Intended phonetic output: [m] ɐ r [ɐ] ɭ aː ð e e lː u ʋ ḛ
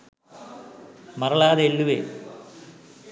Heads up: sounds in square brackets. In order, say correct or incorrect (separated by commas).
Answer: correct, correct